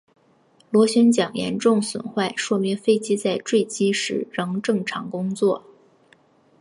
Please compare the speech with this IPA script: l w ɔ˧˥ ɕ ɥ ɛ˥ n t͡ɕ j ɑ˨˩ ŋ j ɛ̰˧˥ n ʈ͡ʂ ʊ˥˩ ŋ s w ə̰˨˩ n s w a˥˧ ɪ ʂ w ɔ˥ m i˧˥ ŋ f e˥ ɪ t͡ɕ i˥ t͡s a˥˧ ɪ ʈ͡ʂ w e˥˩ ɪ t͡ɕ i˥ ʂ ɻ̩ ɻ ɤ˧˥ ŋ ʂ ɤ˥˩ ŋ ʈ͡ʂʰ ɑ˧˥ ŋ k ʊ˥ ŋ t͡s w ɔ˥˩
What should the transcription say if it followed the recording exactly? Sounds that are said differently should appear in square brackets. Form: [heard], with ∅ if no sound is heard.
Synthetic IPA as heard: l w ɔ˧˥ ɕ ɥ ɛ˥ n t͡ɕ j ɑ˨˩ ŋ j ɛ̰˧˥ n ʈ͡ʂ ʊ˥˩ ŋ s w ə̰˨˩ n [x] w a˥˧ ɪ ʂ w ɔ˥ m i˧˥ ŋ f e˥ ɪ t͡ɕ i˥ t͡s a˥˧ ɪ ʈ͡ʂ w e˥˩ ɪ t͡ɕ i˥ ʂ ɻ̩ ɻ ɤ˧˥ ŋ [ʈ͡ʂ] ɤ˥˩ ŋ ʈ͡ʂʰ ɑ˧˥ ŋ k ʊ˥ ŋ t͡s w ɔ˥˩